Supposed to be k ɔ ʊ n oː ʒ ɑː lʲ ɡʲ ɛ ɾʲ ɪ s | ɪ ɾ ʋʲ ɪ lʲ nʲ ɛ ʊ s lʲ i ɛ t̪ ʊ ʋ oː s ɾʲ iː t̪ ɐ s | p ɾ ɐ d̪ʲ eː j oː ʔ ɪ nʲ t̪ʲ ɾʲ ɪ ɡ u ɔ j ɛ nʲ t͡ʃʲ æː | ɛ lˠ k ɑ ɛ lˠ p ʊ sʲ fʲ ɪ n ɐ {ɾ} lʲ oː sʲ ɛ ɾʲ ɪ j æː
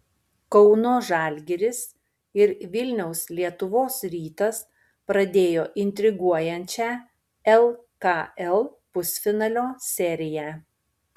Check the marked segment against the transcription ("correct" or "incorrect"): incorrect